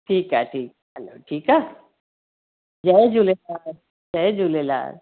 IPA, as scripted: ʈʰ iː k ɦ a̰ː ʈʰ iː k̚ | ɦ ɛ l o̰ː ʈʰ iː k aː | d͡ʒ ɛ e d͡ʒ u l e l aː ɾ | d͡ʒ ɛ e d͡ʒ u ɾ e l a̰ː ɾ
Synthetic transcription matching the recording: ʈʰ iː k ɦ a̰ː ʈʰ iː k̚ | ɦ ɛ l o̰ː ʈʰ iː k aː | d͡ʒ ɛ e d͡ʒ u l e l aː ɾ | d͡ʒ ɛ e d͡ʒ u l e l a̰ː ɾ